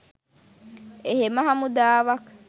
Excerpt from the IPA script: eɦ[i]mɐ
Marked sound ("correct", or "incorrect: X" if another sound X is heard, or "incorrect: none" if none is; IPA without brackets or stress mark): incorrect: e